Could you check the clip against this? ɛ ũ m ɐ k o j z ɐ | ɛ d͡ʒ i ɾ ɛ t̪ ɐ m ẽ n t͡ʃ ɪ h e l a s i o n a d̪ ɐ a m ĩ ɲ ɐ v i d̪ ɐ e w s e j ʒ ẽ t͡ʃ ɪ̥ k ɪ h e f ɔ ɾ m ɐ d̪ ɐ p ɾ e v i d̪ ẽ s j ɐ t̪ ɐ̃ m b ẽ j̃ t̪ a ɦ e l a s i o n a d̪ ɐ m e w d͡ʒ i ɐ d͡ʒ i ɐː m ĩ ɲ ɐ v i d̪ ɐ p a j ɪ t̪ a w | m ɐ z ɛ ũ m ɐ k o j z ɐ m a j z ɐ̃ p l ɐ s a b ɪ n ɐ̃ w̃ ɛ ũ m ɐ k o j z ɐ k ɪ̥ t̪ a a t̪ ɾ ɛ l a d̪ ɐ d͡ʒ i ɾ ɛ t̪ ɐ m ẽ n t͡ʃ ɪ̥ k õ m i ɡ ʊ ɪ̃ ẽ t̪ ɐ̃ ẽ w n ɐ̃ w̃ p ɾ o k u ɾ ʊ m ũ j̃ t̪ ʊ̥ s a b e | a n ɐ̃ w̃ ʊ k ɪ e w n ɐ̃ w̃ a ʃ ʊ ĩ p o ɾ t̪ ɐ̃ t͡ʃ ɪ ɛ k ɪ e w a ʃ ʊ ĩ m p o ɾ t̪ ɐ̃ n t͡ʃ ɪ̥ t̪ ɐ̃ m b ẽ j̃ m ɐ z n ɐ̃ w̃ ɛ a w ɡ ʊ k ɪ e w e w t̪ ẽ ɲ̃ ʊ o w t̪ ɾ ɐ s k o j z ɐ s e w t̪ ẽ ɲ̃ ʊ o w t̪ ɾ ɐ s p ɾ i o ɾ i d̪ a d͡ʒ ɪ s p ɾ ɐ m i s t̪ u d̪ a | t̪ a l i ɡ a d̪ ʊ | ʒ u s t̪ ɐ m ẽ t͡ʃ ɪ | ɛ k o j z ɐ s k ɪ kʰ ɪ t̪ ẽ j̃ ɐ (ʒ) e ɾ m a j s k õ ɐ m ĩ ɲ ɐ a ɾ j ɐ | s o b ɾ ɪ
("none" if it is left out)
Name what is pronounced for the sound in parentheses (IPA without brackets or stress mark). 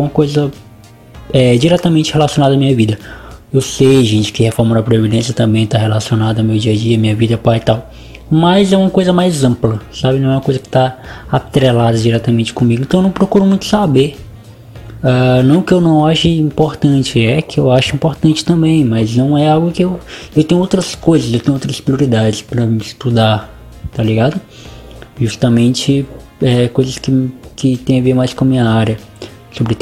v